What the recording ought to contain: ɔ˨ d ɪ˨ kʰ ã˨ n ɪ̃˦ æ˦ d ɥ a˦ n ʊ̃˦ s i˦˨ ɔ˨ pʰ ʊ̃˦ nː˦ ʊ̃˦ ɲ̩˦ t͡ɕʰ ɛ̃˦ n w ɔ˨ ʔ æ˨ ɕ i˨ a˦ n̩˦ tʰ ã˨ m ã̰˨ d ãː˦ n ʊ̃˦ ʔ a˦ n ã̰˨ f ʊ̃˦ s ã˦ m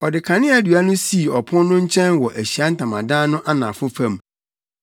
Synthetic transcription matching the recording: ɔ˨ d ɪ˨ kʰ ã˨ n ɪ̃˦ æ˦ d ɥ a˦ n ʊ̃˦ s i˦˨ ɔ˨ pʰ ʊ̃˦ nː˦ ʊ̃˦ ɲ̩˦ t͡ɕʰ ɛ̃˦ n w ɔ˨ ʔ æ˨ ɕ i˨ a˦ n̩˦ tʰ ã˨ m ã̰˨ d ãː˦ n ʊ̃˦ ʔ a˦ n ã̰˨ f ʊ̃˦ f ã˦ m